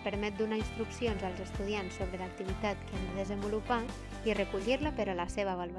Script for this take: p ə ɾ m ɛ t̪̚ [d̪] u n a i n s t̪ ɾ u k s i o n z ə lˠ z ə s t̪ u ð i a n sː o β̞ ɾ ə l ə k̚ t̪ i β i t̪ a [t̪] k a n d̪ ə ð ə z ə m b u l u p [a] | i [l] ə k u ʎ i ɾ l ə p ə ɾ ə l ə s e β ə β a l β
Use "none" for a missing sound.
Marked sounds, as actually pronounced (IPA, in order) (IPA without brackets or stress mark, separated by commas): d̪, t̪, a, r